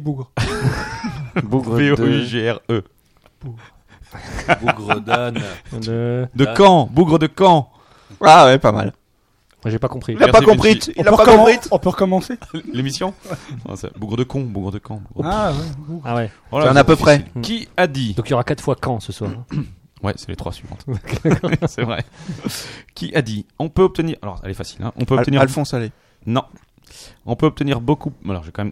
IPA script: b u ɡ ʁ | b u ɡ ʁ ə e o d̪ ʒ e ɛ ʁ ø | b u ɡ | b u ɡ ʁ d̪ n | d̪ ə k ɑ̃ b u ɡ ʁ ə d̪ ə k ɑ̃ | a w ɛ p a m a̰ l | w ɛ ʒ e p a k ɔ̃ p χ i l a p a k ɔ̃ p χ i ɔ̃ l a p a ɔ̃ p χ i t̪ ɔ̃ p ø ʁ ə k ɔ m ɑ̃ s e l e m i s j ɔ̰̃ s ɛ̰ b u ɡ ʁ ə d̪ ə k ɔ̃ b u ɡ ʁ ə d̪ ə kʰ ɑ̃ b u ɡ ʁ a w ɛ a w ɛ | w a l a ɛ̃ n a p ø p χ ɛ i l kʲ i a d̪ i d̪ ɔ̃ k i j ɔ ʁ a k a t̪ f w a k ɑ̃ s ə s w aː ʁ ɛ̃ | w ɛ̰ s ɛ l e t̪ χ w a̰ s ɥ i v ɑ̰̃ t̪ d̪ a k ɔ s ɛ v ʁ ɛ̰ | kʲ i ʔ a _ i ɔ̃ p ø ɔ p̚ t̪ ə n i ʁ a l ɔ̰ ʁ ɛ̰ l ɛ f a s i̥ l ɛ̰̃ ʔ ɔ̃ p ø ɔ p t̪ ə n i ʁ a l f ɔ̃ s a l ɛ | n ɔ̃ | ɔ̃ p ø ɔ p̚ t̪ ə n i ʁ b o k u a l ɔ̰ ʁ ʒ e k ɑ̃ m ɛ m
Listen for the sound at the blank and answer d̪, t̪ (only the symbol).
d̪